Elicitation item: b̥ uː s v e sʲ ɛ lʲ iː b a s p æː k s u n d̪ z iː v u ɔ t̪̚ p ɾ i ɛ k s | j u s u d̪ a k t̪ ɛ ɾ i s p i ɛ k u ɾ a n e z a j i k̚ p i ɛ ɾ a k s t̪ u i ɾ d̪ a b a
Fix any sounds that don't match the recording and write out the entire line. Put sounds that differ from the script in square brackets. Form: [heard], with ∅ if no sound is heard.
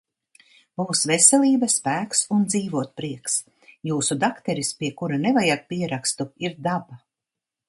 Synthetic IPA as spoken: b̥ uː s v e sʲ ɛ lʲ iː b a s p æː k s u n d̪ z iː v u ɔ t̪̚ p ɾ i ɛ k s | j [uː] s u d̪ a k t̪ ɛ ɾ i s p i ɛ k u ɾ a n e [v] a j [a] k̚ p i ɛ ɾ a k s t̪ u i ɾ d̪ a b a